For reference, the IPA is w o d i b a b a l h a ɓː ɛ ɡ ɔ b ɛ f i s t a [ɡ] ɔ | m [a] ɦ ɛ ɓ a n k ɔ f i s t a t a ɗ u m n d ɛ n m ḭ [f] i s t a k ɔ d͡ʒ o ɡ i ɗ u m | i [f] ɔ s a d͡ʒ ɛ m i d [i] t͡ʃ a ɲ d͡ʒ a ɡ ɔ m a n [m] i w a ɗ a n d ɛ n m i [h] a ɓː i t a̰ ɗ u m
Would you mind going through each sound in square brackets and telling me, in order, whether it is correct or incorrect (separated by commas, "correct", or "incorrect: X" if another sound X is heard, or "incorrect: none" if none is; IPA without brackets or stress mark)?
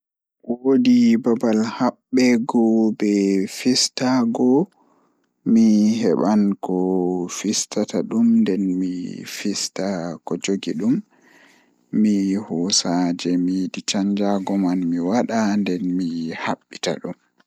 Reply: correct, incorrect: i, correct, incorrect: h, correct, correct, correct